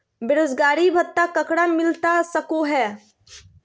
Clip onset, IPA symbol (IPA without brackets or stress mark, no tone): b